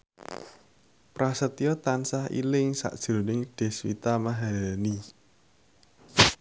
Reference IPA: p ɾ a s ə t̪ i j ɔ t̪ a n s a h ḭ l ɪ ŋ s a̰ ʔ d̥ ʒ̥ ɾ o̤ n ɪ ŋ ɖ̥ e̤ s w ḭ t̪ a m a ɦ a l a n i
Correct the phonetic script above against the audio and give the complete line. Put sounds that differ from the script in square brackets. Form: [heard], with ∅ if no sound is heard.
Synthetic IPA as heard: p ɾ a s ə t̪ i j ɔ t̪ a n s a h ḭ l ɪ ŋ s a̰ ʔ d̥ ʒ̥ ɾ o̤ n ɪ ŋ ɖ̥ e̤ s w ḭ t̪ a m a ɦ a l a n i